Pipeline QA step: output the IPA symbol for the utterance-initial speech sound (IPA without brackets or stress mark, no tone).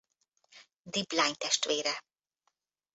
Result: d̪